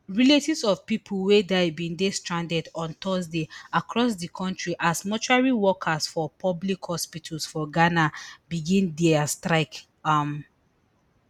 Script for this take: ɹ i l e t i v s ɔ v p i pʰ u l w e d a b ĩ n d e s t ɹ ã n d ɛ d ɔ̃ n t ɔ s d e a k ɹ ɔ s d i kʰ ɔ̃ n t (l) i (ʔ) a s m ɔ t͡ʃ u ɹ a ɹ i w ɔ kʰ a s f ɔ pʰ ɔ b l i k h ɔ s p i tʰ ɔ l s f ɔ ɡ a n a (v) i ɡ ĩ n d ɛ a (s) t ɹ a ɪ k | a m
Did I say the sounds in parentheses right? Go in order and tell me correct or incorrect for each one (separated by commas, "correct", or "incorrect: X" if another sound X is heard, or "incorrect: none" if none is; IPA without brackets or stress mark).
incorrect: ɹ, correct, incorrect: b, correct